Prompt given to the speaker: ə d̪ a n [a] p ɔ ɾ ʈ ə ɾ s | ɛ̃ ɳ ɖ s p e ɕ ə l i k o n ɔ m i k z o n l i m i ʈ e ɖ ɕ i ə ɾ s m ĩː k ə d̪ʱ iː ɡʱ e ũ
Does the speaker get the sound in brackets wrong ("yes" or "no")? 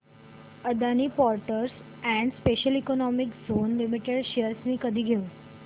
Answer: yes